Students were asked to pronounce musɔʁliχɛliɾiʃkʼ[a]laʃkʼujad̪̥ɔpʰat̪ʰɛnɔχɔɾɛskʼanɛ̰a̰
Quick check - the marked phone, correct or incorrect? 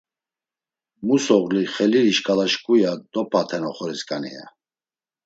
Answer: correct